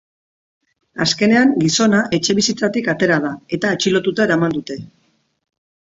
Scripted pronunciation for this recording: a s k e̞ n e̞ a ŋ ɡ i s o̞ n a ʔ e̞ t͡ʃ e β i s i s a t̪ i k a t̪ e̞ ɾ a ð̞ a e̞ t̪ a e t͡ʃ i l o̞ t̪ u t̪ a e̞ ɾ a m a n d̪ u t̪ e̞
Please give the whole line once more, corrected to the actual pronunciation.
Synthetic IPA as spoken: a s k e̞ n e̞ a ŋ ɡ i s o̞ n a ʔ e̞ t͡ʃ e β i s i t͡s a t̪ i k a t̪ e̞ ɾ a ð̞ a e̞ t̪ a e t͡ʃ i l o̞ t̪ u t̪ a e̞ ɾ a m a n d̪ u t̪ e̞